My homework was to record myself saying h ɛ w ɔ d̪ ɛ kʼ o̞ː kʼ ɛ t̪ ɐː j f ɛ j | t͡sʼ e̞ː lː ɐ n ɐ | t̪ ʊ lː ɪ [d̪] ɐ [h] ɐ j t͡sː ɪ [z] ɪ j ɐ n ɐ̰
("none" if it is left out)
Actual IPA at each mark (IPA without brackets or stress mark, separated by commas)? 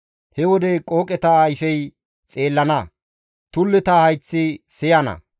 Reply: t̪, h, s